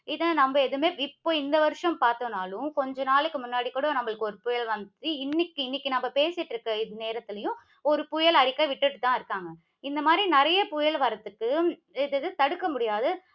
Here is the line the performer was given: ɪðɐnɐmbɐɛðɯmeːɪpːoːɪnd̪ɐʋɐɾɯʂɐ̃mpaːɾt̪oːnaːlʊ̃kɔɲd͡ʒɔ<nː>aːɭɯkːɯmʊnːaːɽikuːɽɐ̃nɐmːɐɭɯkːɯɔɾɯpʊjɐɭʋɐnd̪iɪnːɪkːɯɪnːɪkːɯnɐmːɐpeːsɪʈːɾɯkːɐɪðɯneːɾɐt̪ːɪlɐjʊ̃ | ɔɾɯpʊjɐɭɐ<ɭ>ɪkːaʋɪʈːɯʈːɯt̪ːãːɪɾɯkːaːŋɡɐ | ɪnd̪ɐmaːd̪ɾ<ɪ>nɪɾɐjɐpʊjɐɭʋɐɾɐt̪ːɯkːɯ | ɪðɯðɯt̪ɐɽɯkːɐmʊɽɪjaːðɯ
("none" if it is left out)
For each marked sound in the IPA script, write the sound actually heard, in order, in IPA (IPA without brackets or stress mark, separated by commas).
n, ɽ, i